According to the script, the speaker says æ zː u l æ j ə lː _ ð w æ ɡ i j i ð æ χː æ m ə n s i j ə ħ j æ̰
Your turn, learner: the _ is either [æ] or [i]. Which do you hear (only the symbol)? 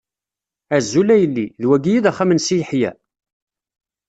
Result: i